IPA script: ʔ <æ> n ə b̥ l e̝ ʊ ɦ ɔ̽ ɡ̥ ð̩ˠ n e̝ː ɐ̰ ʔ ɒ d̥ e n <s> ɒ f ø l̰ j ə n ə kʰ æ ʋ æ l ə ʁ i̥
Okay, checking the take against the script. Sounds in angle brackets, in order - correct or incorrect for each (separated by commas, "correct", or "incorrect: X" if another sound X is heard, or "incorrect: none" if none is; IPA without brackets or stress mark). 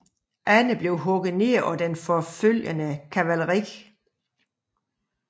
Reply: correct, incorrect: f